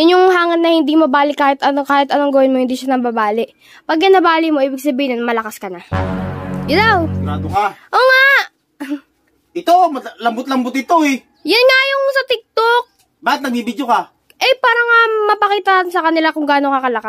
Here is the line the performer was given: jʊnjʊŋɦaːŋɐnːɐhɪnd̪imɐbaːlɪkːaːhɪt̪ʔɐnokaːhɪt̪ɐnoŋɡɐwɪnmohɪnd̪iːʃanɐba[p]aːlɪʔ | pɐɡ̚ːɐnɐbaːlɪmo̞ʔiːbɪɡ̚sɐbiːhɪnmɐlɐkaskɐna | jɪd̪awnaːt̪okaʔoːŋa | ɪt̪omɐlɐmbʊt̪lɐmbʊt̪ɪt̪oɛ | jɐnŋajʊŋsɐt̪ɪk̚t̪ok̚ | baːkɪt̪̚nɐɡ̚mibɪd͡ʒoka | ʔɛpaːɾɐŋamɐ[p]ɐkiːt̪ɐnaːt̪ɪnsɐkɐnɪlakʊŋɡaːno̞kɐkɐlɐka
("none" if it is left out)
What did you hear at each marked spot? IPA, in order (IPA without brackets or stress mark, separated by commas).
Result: b, p